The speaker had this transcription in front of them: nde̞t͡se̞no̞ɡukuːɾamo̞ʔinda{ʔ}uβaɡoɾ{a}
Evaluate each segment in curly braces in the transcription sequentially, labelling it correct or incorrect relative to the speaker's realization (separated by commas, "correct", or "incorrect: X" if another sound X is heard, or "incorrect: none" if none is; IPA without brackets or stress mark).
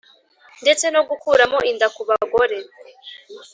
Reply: incorrect: k, incorrect: e